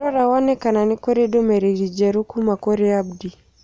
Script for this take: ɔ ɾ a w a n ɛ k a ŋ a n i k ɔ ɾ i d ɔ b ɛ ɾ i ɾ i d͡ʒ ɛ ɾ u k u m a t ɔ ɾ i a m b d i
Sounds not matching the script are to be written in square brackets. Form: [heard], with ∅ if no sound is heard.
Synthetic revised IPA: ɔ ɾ a w a n ɛ k a [n] a n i k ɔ ɾ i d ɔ [m] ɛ ɾ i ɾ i d͡ʒ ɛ ɾ u k u m a [k] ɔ ɾ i a [∅] b d i